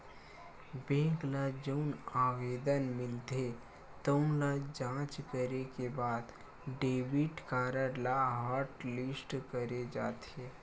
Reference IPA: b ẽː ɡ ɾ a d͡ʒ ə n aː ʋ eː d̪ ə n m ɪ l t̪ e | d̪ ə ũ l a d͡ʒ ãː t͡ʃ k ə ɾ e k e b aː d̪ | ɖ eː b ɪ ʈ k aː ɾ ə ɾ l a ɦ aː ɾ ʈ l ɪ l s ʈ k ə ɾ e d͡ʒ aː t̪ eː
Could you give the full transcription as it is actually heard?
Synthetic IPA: b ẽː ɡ l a d͡ʒ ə n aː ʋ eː d̪ ə n m ɪ l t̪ e | t̪ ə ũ l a d͡ʒ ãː t͡ʃ k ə ɾ e k e b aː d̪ | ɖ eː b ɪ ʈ k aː ɾ ə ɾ l a ɦ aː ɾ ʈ l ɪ s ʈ k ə ɾ e d͡ʒ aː t̪ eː